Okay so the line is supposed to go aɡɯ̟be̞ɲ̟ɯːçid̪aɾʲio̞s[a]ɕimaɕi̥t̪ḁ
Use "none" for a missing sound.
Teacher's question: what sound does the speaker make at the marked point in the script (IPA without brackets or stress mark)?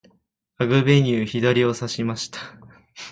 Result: a